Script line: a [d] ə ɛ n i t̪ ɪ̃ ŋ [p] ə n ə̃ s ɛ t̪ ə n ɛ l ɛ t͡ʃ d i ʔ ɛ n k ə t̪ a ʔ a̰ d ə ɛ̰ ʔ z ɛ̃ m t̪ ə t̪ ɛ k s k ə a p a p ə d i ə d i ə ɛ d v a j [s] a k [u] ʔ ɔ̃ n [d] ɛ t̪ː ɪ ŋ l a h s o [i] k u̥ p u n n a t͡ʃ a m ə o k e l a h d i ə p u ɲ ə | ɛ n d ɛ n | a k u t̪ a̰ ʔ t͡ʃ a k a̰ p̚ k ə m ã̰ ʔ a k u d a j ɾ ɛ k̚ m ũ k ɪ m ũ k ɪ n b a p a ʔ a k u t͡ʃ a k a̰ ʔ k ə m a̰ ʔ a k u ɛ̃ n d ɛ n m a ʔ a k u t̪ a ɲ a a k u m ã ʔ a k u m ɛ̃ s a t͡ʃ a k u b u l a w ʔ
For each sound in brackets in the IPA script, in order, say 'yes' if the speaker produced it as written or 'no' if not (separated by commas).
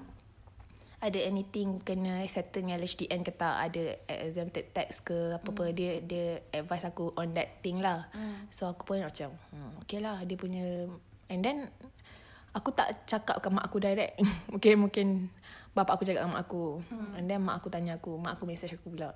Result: yes, no, yes, yes, yes, no